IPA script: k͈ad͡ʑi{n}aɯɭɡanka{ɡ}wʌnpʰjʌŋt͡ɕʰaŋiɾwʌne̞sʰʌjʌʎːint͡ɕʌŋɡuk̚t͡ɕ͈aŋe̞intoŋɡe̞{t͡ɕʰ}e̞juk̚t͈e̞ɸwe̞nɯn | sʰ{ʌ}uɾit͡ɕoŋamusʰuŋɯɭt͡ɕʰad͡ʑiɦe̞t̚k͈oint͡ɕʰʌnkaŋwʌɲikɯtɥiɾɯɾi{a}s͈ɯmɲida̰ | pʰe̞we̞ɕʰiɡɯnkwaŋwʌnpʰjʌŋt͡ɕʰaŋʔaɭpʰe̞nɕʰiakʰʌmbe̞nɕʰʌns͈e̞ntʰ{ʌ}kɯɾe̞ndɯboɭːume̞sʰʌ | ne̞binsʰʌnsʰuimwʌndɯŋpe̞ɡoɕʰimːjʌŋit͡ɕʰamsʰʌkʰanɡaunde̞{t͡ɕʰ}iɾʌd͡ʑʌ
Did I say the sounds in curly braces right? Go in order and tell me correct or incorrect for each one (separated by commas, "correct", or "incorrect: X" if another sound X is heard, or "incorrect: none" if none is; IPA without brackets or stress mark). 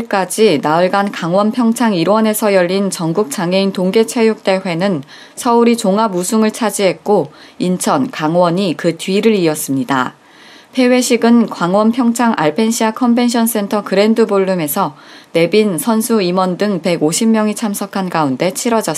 correct, incorrect: ŋ, correct, correct, incorrect: ʌ, correct, correct